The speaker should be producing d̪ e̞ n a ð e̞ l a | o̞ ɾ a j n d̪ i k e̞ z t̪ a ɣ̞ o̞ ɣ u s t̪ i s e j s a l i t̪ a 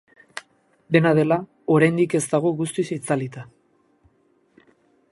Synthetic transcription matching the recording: d̪ e̞ n a ð e̞ l a | o̞ ɾ a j n d̪ i k e̞ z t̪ a ɣ̞ o̞ ɣ u s t̪ i s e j t͡s a l i t̪ a